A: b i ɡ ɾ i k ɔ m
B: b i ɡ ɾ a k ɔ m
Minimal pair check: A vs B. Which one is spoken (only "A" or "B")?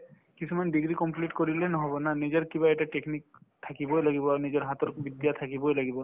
A